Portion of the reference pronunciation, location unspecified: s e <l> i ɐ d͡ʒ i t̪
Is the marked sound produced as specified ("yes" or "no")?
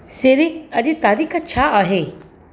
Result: no